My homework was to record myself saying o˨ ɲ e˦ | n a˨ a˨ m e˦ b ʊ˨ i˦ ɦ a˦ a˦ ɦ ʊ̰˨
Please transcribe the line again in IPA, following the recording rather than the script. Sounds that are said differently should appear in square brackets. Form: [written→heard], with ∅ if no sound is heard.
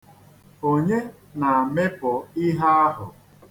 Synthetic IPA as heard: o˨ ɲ e˦ | n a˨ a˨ m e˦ [b→p] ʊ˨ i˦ ɦ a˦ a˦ ɦ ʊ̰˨